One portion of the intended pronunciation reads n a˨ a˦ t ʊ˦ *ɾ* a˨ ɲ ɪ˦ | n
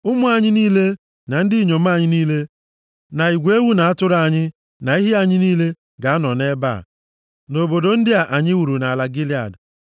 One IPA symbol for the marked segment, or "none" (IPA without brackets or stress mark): ɾ